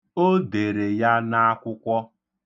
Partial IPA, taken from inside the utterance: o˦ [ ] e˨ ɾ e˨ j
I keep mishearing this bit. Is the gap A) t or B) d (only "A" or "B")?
B